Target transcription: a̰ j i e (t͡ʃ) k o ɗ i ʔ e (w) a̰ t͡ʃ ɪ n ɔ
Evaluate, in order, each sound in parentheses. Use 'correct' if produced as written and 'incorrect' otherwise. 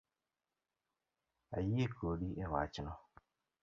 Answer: incorrect: none, correct

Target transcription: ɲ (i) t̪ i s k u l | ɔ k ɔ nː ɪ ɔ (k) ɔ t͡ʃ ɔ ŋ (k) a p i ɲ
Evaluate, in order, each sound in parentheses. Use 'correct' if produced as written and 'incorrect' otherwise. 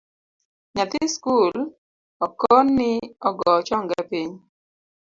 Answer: incorrect: a, incorrect: ɡ, incorrect: ɡ

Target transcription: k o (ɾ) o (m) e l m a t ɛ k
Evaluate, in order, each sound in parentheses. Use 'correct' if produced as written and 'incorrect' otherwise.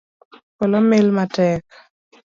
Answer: incorrect: l, correct

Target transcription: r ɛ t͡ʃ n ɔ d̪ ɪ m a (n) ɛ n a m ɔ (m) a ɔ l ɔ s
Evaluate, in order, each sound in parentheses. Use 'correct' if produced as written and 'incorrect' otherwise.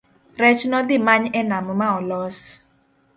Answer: incorrect: ɲ, correct

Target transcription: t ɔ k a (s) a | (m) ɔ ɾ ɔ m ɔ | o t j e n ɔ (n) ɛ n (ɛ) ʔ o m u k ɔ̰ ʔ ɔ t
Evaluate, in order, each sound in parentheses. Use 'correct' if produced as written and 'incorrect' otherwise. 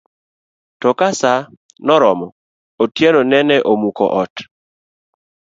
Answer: correct, incorrect: n, correct, correct

